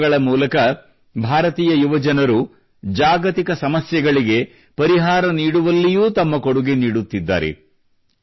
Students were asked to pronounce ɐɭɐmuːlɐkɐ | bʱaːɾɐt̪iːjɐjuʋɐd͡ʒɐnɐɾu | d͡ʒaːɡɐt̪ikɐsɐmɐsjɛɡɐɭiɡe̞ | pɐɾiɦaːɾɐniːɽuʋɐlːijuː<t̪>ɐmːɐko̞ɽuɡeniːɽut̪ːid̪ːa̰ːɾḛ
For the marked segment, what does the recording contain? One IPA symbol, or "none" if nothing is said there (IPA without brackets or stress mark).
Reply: t̪